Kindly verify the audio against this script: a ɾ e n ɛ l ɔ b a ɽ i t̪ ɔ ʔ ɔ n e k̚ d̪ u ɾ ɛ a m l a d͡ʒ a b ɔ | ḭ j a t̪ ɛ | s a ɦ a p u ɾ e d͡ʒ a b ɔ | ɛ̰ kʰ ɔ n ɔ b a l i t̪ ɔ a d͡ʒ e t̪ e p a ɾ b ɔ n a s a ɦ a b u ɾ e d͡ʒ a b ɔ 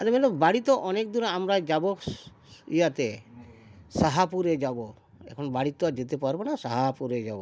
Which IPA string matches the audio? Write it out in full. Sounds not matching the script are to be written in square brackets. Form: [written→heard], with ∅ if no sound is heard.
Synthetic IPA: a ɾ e [n→m] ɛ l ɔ b a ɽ i t̪ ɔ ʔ ɔ n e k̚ d̪ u ɾ [ɛ→a] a m [l→ɾ] a d͡ʒ a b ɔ | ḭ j a t̪ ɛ | s a ɦ a p u ɾ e d͡ʒ a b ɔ | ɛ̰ kʰ ɔ n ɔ b a [l→ɽ] i t̪ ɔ a d͡ʒ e t̪ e p a ɾ b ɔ n a s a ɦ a [b→p] u ɾ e d͡ʒ a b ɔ